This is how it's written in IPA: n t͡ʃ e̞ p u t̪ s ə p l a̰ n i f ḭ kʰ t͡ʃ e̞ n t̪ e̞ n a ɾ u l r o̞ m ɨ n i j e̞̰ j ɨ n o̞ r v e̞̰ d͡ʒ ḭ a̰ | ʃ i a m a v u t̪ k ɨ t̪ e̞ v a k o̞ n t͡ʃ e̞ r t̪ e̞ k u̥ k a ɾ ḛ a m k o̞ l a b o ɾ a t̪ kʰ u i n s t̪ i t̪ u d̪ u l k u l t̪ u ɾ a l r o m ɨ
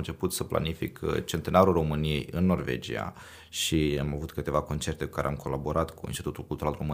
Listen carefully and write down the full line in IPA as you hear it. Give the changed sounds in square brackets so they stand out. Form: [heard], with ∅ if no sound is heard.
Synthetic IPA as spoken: n t͡ʃ e̞ p u t̪ s ə p l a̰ n i f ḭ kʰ t͡ʃ e̞ n t̪ e̞ n a ɾ u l r o̞ m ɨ n i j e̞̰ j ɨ [nː] o̞ r v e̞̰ d͡ʒ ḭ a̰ | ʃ i a m a v u t̪ k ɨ t̪ e̞ v a k o̞ n t͡ʃ e̞ r t̪ e̞ k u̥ k a ɾ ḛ a m k o̞ l a b o ɾ a t̪ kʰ u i n s t̪ i t̪ u [t̪] u l k u l t̪ u ɾ a l r o m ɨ